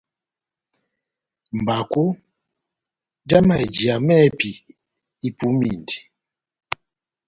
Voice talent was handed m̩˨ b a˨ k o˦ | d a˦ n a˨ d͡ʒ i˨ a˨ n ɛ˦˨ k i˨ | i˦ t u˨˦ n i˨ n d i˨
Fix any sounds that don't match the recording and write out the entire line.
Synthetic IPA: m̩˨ b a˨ k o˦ | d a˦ m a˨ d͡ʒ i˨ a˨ m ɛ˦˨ p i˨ | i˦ p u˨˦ m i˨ n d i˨